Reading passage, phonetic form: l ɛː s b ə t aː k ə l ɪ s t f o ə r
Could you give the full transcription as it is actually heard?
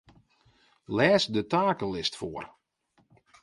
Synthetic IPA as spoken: l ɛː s d ə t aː k ə l ɪ s t f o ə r